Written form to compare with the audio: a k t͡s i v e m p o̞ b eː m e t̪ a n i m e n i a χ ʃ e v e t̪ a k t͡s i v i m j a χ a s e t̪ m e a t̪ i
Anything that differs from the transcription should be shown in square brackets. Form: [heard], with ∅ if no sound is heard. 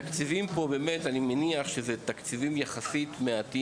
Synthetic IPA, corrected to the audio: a k t͡s i v [i] m p o̞ b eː m e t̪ a n i m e n i a χ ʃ e [z] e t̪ a k t͡s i v i m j a χ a s [i] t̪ m e a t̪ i